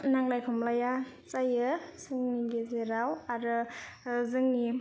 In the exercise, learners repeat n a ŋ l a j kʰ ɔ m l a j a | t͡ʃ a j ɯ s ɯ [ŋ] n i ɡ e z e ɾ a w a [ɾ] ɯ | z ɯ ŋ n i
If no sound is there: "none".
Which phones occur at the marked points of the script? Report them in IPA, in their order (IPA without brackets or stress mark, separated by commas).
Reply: ŋ, ɾ